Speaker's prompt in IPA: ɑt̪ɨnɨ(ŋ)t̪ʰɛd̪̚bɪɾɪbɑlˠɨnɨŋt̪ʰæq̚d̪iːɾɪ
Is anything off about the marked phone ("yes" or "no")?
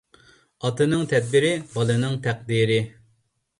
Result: no